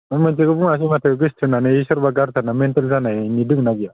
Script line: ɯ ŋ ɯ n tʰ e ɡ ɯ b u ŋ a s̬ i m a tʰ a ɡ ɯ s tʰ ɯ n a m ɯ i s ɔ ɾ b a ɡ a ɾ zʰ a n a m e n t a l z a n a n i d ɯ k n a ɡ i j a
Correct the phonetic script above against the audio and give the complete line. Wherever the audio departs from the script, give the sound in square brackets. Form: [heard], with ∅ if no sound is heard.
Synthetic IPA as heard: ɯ [m] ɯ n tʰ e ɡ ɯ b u ŋ a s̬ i m a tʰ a ɡ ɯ s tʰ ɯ n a [n] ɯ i s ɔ ɾ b a ɡ a ɾ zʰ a n a m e n t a l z a n a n i d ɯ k n a ɡ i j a